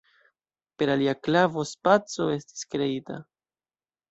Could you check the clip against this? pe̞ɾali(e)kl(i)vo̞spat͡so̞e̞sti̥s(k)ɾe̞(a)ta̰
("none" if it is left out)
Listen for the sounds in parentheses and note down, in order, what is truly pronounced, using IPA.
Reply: a, a, k, i

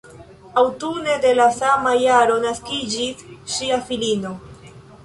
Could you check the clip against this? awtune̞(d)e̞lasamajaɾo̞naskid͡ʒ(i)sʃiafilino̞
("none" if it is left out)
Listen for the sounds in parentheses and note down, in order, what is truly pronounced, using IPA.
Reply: d, i

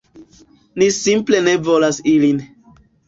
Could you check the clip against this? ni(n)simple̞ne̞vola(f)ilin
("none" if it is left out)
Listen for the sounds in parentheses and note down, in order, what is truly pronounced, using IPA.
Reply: none, s

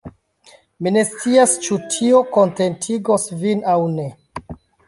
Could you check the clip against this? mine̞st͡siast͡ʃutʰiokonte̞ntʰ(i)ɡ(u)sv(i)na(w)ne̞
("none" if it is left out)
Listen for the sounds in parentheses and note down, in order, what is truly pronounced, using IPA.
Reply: i, o, i, w

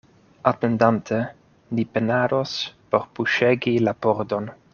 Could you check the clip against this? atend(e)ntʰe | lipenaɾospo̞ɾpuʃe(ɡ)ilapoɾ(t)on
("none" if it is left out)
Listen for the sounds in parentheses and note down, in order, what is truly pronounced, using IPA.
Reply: a, ɡ, d

